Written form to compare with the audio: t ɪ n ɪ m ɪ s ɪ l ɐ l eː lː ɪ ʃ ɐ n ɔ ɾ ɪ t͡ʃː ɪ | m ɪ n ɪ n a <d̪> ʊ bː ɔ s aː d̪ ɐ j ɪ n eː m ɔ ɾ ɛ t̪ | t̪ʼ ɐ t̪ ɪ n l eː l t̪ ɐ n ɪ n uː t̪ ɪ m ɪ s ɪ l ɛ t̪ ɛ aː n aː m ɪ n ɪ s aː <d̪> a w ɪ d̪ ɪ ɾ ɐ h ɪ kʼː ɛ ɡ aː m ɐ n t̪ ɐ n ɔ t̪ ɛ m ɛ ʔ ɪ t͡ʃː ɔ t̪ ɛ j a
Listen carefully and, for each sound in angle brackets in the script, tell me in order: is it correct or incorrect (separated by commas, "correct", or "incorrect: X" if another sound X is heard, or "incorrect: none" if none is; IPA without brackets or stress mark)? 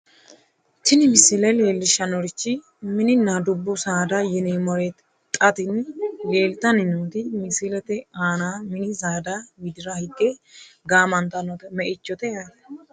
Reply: correct, correct